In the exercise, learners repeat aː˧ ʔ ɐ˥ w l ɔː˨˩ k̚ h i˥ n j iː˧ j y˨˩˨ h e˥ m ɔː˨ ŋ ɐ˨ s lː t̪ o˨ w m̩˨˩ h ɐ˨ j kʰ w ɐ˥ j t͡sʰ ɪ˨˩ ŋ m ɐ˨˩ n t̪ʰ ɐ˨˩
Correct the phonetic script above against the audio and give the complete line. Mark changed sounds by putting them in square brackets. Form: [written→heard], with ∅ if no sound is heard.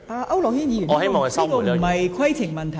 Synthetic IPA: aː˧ ʔ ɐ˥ w l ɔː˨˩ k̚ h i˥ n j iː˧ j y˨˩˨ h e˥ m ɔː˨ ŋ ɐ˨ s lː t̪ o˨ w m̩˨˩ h ɐ˨ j kʰ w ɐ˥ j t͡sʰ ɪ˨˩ ŋ m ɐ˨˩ n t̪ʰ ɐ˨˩